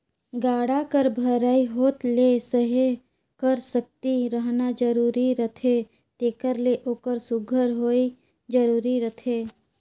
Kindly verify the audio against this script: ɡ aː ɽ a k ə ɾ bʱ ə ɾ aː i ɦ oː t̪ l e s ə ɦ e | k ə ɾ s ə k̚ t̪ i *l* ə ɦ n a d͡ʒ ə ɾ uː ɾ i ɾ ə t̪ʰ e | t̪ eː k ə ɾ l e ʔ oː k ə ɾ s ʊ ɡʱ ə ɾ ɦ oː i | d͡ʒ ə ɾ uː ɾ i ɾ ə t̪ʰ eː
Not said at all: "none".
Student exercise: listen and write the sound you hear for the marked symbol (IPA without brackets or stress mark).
ɾ